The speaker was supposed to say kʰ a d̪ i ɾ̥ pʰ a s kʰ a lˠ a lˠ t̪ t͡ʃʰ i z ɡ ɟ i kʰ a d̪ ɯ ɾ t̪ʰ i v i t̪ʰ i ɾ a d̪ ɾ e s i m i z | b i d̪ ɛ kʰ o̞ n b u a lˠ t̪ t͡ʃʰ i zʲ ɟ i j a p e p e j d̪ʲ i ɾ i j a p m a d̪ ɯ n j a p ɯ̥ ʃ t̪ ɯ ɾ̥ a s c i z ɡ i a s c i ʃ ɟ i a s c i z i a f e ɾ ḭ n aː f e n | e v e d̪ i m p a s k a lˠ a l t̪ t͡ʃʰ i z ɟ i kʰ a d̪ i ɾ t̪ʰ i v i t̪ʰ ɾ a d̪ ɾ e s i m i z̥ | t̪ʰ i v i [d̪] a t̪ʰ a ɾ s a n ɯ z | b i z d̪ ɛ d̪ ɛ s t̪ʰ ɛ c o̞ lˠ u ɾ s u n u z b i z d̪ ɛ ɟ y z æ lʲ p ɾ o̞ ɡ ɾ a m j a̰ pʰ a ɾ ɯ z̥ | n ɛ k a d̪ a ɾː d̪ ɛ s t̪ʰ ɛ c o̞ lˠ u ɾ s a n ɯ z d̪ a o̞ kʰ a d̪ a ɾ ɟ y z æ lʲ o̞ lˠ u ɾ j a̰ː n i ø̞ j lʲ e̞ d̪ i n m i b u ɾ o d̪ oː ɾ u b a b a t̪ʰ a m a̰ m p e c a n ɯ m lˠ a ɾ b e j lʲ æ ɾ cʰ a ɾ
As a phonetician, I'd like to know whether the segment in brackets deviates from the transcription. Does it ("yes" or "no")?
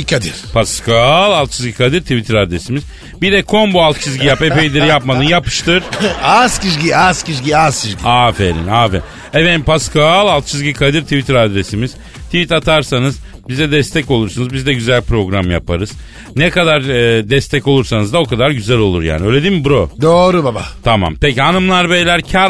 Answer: yes